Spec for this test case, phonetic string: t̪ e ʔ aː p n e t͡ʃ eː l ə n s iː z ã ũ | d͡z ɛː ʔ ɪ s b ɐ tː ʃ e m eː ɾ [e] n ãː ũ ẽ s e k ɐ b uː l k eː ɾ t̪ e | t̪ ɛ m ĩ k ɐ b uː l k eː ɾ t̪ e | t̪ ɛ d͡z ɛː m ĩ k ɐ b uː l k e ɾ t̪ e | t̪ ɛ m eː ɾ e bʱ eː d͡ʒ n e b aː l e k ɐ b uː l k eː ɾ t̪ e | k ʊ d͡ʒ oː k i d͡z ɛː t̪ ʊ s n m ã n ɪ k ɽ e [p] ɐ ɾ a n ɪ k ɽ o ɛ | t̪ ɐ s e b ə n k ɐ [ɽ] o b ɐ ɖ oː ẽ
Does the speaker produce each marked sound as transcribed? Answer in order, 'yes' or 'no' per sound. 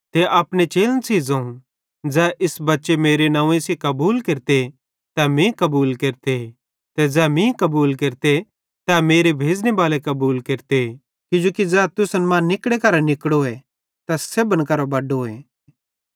yes, no, no

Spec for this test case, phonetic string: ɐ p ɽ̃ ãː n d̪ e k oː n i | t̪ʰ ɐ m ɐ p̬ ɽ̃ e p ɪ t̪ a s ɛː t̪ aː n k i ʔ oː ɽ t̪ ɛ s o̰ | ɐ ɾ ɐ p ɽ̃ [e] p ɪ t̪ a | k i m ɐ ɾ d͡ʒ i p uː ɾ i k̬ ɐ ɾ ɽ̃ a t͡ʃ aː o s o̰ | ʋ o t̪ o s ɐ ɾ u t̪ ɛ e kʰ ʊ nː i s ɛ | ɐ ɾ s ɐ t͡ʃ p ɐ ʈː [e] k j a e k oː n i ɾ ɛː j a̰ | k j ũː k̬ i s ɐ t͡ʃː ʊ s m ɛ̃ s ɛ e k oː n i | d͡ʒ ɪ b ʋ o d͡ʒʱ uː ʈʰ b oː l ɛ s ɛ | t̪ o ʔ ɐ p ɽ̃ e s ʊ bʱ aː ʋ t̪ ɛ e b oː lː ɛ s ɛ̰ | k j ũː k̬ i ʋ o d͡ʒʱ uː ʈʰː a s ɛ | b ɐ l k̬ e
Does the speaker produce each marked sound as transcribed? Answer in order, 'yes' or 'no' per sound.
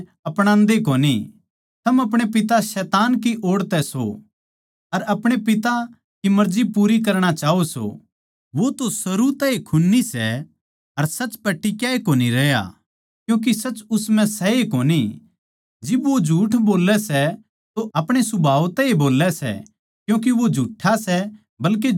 yes, no

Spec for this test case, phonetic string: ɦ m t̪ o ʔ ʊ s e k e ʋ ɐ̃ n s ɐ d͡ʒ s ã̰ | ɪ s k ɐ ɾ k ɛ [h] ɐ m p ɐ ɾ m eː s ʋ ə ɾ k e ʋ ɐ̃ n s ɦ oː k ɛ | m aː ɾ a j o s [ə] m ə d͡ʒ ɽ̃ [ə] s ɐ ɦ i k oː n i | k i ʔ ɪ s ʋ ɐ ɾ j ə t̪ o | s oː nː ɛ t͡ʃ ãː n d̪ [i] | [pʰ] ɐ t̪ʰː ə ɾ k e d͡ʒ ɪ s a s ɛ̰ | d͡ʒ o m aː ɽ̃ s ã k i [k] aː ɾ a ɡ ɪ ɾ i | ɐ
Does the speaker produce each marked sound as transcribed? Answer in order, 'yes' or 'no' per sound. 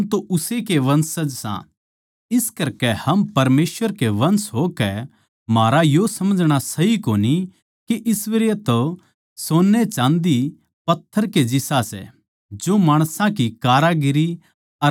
yes, no, no, yes, no, yes

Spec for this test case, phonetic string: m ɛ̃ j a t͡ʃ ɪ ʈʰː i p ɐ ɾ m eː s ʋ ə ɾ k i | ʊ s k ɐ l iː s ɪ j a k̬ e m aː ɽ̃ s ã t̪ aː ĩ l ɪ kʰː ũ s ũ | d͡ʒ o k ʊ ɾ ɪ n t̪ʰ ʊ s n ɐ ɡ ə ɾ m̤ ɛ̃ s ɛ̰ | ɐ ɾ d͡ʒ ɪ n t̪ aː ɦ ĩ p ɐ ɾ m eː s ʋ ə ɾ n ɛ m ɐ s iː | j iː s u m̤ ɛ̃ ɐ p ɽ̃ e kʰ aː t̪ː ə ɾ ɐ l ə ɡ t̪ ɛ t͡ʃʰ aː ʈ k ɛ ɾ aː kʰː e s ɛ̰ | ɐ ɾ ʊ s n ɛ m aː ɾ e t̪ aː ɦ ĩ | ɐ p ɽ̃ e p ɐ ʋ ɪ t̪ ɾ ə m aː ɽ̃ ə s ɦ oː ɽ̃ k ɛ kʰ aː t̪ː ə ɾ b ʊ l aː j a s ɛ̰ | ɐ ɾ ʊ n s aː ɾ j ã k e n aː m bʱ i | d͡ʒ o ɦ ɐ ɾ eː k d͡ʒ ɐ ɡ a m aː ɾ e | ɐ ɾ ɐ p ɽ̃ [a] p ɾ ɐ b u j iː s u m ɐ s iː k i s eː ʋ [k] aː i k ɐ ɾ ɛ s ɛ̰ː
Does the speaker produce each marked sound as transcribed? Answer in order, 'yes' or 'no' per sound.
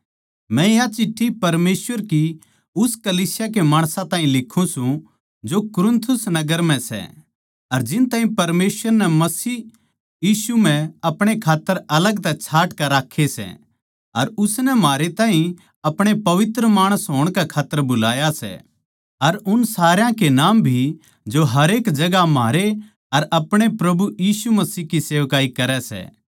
no, yes

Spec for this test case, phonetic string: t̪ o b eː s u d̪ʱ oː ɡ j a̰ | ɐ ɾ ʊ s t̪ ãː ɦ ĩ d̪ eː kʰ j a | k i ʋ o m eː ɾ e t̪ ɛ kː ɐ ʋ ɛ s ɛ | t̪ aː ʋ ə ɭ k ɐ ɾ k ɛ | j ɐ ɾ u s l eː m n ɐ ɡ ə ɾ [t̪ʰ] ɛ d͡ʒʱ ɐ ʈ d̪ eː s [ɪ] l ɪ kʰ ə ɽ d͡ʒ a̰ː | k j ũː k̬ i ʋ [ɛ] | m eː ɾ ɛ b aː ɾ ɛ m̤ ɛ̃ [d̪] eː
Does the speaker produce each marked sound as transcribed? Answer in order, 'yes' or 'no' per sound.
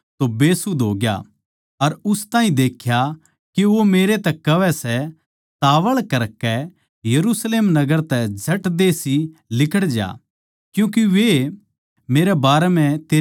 no, no, no, no

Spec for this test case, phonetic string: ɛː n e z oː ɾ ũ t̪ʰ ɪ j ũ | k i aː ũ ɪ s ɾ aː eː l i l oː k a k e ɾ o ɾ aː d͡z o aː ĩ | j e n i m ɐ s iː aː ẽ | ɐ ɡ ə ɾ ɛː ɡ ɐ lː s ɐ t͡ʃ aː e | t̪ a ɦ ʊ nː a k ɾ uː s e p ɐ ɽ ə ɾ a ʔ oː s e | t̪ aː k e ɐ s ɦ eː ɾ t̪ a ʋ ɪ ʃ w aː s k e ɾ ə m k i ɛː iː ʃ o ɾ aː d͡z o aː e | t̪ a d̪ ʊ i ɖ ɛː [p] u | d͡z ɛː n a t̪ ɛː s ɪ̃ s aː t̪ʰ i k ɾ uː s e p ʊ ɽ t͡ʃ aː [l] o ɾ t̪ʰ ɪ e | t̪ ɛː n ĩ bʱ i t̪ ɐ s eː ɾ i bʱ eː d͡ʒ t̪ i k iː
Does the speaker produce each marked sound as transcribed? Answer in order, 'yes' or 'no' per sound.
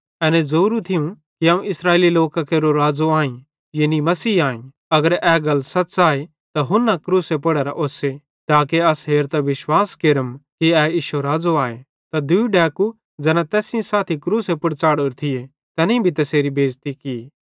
no, no

